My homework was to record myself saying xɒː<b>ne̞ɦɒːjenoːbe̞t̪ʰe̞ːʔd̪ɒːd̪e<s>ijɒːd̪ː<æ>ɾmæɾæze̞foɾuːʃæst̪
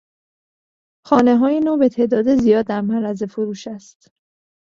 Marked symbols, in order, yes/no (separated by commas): no, no, yes